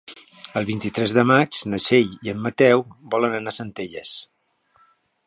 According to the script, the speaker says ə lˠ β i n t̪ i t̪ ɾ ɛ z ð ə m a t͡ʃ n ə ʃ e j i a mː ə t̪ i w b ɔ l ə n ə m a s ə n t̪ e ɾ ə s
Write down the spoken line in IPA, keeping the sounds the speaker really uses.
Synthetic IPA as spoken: ə lˠ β i n t̪ i t̪ ɾ ɛ z ð ə m a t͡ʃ n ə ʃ e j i ə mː ə t̪ ɛ w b ɔ l ə n ə n a s ə n t̪ e ʎ ə s